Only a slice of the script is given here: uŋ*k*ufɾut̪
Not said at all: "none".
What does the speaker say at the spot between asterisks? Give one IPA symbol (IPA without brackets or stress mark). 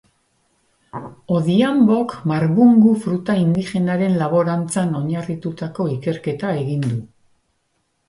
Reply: ɡ